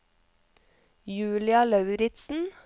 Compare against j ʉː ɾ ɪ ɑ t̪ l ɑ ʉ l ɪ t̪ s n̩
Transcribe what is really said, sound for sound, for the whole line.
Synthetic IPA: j ʉː l ɪ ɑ l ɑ ʉ ɾ ɪ t̪ s n̩